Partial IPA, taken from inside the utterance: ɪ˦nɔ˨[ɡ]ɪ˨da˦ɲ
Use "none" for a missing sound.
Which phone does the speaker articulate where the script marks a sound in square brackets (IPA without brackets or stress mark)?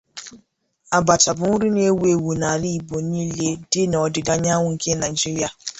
d